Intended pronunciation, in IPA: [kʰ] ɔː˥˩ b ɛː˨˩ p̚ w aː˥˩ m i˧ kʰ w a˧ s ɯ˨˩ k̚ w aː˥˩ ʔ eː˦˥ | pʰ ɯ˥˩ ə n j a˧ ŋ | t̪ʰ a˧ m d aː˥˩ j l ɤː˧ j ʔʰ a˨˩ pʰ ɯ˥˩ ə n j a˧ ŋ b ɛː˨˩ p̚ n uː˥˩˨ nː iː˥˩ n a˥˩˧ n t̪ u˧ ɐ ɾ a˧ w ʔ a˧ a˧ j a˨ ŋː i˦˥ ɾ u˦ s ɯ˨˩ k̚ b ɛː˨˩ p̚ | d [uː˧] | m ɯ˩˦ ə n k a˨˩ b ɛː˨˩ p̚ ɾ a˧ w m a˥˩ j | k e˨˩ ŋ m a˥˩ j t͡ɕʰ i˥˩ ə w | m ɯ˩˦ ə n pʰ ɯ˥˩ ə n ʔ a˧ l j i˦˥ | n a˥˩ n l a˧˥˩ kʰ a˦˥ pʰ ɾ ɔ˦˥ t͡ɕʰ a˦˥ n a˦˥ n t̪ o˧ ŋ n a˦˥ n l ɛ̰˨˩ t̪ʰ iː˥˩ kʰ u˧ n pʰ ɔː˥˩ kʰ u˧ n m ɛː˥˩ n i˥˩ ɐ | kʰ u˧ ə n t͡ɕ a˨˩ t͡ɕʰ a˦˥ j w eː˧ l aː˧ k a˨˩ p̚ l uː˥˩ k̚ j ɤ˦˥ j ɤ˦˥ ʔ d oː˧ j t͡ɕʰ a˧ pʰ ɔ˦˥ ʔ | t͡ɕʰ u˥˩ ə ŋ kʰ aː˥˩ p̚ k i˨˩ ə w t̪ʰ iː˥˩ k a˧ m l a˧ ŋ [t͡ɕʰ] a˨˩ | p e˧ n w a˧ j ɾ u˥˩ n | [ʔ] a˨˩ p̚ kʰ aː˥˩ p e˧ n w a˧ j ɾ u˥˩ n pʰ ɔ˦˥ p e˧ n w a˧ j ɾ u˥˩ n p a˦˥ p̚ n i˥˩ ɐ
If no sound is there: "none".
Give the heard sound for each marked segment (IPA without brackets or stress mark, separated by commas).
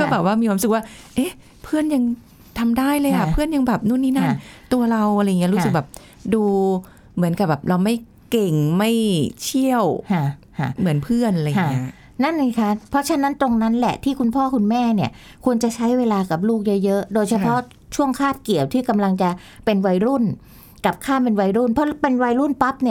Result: k, uː˧, t͡ɕ, k